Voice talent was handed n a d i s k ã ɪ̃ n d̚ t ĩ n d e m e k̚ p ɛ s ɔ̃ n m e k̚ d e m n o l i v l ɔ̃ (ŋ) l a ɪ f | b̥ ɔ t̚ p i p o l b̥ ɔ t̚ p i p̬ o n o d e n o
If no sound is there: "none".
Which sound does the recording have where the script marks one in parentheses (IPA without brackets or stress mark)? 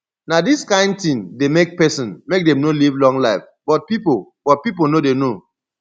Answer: ŋ